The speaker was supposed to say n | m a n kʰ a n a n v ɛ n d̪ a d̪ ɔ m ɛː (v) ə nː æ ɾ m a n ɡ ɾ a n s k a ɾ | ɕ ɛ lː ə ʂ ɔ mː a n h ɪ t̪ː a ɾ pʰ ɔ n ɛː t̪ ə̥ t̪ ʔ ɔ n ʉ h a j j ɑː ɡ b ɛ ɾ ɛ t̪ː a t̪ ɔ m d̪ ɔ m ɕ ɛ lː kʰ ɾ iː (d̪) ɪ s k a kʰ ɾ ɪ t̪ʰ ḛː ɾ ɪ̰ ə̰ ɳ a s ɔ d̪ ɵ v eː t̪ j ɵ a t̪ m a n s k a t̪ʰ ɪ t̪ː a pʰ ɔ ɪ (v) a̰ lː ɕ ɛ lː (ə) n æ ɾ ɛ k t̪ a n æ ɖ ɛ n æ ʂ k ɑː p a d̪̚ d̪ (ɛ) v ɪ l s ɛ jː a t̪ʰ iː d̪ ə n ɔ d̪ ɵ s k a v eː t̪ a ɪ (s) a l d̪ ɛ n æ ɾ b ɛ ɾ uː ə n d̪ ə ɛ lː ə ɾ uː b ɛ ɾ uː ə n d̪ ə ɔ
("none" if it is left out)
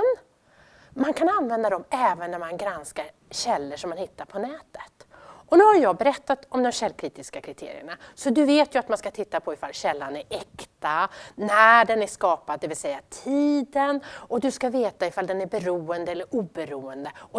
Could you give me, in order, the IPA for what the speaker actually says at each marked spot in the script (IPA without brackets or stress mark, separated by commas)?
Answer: v, t̪, f, a, ɛ, f